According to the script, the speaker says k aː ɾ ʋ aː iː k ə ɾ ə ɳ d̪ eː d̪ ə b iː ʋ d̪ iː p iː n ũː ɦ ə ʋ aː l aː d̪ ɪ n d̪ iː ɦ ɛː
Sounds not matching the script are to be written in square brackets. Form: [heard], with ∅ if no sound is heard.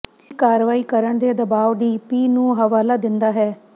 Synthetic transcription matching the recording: k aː ɾ ʋ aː iː k ə ɾ ə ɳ d̪ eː d̪ ə b [aː] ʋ d̪ iː p iː n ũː ɦ ə ʋ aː l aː d̪ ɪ n d̪ [aː] ɦ ɛː